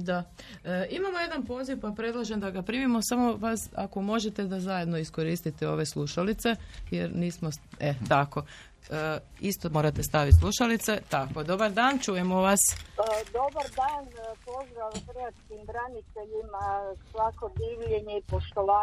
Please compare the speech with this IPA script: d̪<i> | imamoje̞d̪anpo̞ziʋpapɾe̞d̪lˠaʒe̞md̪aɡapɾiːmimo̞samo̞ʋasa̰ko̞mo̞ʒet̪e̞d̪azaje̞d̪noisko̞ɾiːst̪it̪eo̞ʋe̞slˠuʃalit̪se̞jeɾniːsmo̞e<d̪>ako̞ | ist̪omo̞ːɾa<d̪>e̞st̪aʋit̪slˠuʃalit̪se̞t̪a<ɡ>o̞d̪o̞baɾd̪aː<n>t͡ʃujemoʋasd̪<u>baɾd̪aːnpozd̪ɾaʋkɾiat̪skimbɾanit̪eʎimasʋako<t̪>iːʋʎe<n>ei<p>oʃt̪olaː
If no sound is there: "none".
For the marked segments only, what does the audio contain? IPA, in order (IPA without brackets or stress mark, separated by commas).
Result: a, t̪, t̪, k, n, o, d̪, ɲ, p